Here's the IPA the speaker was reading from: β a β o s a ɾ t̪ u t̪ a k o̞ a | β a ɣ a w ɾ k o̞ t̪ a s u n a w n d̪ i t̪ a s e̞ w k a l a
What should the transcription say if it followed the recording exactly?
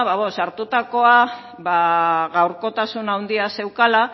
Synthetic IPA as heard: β a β o s a ɾ t̪ u t̪ a k o̞ a | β a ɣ a w ɾ k o̞ t̪ a s u n a w n d̪ i a s e̞ w k a l a